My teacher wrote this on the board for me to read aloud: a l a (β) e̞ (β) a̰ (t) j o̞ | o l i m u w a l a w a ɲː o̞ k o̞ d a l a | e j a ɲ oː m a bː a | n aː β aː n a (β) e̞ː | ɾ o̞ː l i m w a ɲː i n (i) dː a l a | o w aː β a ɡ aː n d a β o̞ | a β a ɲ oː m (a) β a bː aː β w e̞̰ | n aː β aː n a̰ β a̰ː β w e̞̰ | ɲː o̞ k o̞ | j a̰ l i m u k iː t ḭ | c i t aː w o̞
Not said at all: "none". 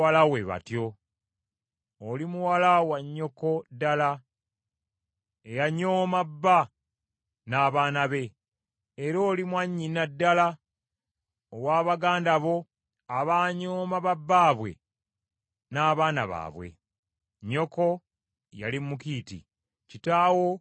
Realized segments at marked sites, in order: w, β, t, β, a, a

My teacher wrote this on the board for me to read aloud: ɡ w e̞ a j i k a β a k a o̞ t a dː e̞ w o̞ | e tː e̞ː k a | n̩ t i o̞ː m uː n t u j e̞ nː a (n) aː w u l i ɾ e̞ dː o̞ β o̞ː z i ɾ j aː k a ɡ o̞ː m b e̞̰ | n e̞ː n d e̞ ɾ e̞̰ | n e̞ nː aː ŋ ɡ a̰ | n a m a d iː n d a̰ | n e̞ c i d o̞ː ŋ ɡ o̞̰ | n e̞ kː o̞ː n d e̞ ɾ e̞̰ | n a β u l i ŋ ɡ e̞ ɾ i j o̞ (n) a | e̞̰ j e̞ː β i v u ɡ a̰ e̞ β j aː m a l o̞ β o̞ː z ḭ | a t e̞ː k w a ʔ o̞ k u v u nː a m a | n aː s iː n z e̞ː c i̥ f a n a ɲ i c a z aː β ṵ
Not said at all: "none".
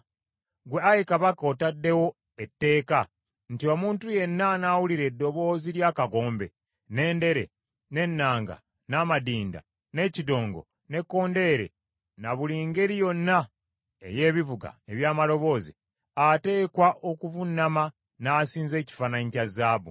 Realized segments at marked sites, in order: n, nː

